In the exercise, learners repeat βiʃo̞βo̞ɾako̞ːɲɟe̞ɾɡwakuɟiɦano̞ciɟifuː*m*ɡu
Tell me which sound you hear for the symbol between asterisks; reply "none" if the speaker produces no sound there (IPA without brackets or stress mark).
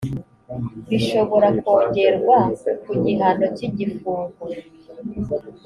ŋ